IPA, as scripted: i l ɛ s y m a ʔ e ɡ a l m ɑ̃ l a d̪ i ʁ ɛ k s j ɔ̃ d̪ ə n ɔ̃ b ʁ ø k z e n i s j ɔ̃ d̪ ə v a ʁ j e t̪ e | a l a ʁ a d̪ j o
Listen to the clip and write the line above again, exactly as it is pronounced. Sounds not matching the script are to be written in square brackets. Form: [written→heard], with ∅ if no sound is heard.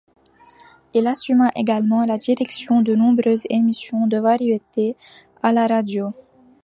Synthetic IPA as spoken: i l [ɛ→a] s y m a ʔ e ɡ a l m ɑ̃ l a d̪ i ʁ ɛ k s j ɔ̃ d̪ ə n ɔ̃ b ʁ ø [k→∅] z e [n→m] i s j ɔ̃ d̪ ə v a ʁ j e t̪ e | a l a ʁ a d̪ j o